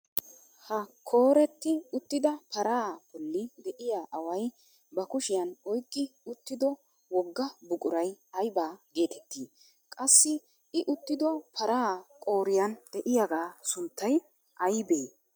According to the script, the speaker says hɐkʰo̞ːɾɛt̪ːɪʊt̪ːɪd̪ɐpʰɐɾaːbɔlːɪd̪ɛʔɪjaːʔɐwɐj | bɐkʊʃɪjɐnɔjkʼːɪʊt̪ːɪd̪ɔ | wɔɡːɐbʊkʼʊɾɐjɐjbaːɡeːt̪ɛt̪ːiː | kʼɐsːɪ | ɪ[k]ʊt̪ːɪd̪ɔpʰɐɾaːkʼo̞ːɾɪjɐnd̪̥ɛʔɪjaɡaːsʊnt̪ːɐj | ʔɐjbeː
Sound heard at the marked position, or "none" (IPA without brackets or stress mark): ʔ